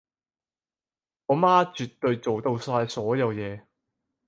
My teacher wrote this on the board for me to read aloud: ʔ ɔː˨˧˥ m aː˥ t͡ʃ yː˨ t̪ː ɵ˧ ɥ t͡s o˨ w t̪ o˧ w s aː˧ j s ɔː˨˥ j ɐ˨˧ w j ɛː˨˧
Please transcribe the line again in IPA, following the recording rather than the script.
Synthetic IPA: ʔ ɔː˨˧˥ m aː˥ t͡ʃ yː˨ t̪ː ɵ˧ ɥ t͡s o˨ w t̪ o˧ w s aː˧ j s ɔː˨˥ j ɐ˨˧ w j ɛː˨˧

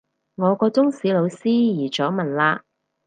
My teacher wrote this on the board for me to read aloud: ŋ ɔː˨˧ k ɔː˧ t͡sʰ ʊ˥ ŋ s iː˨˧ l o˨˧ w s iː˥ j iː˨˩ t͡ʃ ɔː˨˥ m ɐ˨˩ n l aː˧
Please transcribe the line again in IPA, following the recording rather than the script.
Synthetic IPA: ŋ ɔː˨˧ k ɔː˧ t͡s ʊ˥ ŋ s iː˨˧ l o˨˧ w s iː˥ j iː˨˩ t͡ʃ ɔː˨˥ m ɐ˨˩ n l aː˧

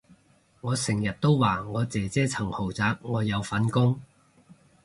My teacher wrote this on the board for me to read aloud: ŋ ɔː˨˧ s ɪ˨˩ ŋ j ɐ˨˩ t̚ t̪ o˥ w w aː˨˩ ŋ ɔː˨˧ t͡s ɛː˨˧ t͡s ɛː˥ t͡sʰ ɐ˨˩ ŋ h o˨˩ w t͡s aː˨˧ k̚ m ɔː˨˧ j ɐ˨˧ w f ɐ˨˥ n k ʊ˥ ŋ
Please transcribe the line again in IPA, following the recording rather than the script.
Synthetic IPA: ŋ ɔː˨˧ s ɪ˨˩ ŋ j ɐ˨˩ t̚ t̪ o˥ w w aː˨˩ ŋ ɔː˨˧ t͡s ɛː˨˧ t͡s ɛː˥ t͡sʰ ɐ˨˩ ŋ h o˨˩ w t͡s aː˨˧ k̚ ŋ ɔː˨˧ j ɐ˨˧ w f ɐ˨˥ n k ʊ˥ ŋ

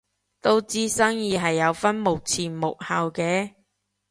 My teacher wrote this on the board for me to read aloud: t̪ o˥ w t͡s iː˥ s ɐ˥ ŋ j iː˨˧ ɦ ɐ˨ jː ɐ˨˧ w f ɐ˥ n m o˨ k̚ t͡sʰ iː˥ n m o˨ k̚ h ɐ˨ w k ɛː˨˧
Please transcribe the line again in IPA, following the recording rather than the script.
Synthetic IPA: t̪ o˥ w t͡s iː˥ s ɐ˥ ŋ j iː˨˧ ɦ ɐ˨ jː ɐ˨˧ w f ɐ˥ n m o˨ k̚ t͡sʰ iː˨˩ n m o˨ k̚ h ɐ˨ w k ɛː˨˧

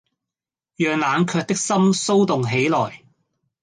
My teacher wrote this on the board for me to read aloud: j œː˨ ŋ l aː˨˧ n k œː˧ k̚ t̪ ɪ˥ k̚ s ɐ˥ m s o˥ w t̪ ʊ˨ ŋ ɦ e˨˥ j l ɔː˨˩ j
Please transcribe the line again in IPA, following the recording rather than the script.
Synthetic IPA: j œː˨ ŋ l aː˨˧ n kʰ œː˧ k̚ t̪ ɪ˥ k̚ s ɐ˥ m s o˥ w t̪ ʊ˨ ŋ ɦ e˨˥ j l ɔː˨˩ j

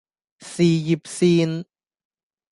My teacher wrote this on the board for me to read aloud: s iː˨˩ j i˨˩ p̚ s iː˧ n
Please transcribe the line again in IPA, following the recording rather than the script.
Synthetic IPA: s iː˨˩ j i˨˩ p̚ s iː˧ n

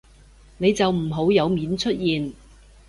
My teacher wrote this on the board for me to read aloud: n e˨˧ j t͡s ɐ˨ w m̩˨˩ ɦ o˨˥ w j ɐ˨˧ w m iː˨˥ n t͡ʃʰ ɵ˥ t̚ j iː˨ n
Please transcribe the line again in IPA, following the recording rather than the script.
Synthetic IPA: n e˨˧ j t͡s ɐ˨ w m̩˨˩ ɦ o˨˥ w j ɐ˨˧ w m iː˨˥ n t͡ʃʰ ɵ˥ t̚ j iː˨ n

